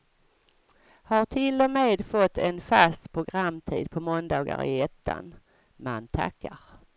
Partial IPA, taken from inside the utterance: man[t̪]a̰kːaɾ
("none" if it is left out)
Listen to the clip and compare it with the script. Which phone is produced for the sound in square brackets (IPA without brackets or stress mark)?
t̪ʰ